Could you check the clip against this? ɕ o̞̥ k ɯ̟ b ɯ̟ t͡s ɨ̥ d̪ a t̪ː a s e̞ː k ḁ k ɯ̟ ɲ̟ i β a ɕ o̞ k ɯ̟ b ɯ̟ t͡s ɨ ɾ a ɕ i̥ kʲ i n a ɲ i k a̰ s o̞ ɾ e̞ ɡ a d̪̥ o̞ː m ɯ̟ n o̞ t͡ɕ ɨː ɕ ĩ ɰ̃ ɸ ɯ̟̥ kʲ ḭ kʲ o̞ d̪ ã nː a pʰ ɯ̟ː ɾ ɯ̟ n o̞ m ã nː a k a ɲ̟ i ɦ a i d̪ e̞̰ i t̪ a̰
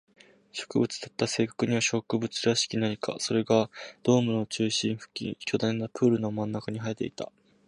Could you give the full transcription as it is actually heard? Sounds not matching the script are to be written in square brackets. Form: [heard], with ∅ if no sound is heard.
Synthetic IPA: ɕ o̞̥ k ɯ̟ b ɯ̟ t͡s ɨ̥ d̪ a t̪ː a s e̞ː k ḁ k ɯ̟ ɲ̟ i β a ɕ o̞ k ɯ̟ b ɯ̟ t͡s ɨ ɾ a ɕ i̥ kʲ i n a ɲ i k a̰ s o̞ ɾ e̞ ɡ a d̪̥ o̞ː m ɯ̟ n o̞ t͡ɕ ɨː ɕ ĩ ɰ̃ ɸ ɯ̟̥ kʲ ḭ kʲ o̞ d̪ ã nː a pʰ ɯ̟ː ɾ ɯ̟ n o̞ m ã nː a k a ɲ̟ i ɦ a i [t̪] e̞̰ i t̪ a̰

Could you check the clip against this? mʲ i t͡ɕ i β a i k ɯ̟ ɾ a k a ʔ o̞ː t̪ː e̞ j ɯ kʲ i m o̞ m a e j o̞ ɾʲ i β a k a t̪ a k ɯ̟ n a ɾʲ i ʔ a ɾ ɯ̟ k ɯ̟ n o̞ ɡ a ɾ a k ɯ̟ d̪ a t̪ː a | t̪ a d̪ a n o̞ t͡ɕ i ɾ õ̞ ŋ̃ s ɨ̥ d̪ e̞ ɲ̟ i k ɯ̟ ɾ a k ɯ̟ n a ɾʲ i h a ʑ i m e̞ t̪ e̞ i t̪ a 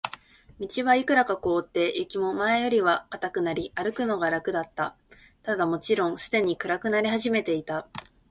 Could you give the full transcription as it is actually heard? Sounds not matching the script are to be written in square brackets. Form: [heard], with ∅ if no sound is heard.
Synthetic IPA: mʲ i t͡ɕ i β a i k ɯ̟ ɾ a k a [k] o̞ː t̪ː e̞ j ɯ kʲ i m o̞ m a e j o̞ ɾʲ i β a k a t̪ a k ɯ̟ n a ɾʲ i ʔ a ɾ ɯ̟ k ɯ̟ n o̞ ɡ a ɾ a k ɯ̟ d̪ a t̪ː a | t̪ a d̪ a [m] o̞ t͡ɕ i ɾ õ̞ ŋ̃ s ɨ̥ d̪ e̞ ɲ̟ i k ɯ̟ ɾ a k ɯ̟ n a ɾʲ i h a ʑ i m e̞ t̪ e̞ i t̪ a

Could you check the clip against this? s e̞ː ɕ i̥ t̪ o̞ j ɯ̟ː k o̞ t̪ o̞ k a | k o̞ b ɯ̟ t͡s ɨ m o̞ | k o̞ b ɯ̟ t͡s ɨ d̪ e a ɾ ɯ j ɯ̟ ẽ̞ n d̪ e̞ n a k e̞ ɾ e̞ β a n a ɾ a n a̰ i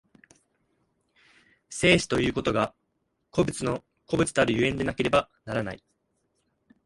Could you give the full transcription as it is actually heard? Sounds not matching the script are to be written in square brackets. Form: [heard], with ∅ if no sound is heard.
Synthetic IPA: s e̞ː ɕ i̥ t̪ o̞ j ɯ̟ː k o̞ t̪ o̞ [ɡ] a | k o̞ b ɯ̟ t͡s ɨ [n] o̞ | k o̞ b ɯ̟ t͡s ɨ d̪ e a ɾ ɯ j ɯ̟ ẽ̞ n d̪ e̞ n a k e̞ ɾ e̞ [b] a n a ɾ a n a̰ i

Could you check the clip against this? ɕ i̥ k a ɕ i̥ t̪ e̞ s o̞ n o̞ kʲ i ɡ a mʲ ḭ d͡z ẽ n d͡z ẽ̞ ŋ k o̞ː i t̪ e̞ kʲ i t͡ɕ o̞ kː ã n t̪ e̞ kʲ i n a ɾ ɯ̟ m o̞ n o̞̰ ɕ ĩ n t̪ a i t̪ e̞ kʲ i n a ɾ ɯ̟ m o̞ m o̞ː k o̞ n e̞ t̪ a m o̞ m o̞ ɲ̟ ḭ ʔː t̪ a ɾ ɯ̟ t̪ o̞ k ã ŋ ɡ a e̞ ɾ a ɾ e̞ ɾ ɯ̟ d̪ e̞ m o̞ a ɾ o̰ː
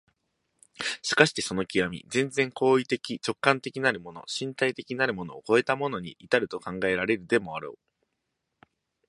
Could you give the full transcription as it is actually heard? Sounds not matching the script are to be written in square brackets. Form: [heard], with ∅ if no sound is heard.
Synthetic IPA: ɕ i̥ k a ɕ i̥ t̪ e̞ s o̞ n o̞ kʲ i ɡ a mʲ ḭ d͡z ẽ n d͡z ẽ̞ ŋ k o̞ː i t̪ e̞ kʲ i t͡ɕ o̞ kː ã n t̪ e̞ kʲ i n a ɾ ɯ̟ m o̞ n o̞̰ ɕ ĩ n t̪ a i t̪ e̞ kʲ i n a ɾ ɯ̟ m o̞ [n] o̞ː k o̞ [∅] e̞ t̪ a m o̞ [n] o̞ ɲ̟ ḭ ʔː t̪ a ɾ ɯ̟ t̪ o̞ k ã ŋ ɡ a e̞ ɾ a ɾ e̞ ɾ ɯ̟ d̪ e̞ m o̞ a ɾ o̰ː

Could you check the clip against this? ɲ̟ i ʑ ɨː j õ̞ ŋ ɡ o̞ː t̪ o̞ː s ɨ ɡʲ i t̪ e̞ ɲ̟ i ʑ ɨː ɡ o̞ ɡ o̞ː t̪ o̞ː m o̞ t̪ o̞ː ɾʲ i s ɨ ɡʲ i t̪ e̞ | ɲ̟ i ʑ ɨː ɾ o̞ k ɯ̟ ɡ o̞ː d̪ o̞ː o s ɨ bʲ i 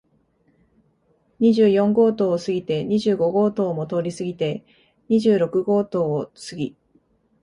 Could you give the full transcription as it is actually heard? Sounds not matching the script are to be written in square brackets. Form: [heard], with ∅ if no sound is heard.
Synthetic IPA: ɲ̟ i ʑ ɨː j õ̞ ŋ ɡ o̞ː t̪ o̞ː s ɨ ɡʲ i t̪ e̞ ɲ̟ i ʑ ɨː ɡ o̞ ɡ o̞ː t̪ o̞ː m o̞ t̪ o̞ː ɾʲ i s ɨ ɡʲ i t̪ e̞ | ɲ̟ i ʑ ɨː ɾ o̞ k ɯ̟ ɡ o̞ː [t̪] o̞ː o s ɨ [ɡʲ] i

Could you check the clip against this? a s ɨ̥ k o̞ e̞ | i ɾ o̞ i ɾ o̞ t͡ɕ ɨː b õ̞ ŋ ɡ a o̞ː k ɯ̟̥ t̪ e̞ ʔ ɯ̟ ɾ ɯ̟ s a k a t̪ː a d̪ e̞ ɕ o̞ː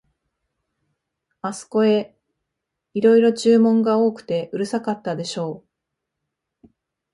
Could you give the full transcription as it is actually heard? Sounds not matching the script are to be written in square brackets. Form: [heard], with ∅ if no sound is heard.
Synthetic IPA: a s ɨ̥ k o̞ e̞ | i ɾ o̞ i ɾ o̞ t͡ɕ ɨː [m] õ̞ ŋ ɡ a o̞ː k ɯ̟̥ t̪ e̞ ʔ ɯ̟ ɾ ɯ̟ s a k a t̪ː a d̪ e̞ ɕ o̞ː

